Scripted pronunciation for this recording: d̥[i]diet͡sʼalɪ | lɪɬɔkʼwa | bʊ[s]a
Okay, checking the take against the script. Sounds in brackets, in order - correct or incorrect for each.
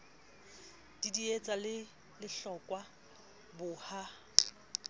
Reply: correct, incorrect

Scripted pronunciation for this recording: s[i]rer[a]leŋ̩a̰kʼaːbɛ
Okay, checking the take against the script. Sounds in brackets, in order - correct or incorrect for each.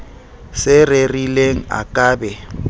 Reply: incorrect, incorrect

